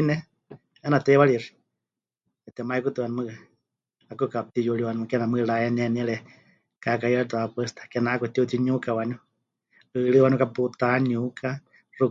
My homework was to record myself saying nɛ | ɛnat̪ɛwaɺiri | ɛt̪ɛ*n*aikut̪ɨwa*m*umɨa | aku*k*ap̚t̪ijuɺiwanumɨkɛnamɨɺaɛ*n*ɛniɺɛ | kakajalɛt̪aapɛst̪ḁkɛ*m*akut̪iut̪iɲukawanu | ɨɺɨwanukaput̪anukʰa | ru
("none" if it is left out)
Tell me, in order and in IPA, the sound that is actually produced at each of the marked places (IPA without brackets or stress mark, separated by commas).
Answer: m, n, k, n, n